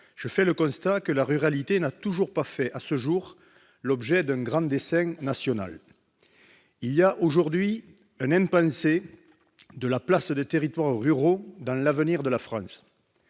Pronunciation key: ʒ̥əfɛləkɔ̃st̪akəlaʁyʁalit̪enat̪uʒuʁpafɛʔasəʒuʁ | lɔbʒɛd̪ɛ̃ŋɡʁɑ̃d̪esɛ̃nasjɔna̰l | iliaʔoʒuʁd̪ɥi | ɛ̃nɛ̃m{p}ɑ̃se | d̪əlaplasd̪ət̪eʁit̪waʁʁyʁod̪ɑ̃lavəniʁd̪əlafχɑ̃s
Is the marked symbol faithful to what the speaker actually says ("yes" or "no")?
yes